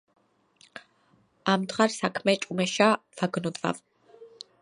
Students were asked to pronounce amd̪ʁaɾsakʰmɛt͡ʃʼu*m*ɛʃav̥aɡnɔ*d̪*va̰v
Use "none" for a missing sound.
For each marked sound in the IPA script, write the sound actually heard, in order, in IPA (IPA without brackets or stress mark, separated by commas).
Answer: m, d̪